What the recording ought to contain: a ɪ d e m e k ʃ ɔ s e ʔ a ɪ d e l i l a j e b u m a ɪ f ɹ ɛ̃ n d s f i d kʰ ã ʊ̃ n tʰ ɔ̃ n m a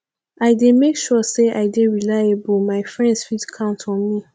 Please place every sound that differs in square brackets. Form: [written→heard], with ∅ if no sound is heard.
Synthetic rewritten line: a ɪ d e m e k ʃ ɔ s e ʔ a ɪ d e [l→ɹ] i l a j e b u m a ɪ f ɹ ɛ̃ n d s f i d kʰ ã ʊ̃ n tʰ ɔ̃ n m [a→i]